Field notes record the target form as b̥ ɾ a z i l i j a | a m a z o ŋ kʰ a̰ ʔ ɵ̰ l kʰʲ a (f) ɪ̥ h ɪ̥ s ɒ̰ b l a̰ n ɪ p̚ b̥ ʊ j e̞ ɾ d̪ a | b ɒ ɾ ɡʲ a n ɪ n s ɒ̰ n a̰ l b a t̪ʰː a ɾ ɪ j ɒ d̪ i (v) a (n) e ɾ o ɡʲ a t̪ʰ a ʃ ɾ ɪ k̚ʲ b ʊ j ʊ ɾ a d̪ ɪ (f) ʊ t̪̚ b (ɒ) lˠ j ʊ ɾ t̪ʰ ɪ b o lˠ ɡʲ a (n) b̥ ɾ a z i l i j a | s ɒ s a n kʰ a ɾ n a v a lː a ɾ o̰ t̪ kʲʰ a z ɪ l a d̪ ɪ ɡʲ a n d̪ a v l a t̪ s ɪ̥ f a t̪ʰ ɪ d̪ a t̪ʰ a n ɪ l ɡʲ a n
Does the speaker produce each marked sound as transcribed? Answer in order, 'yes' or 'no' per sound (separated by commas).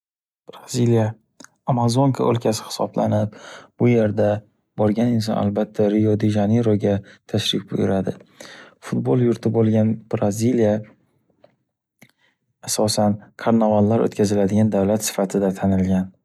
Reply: no, no, yes, yes, no, yes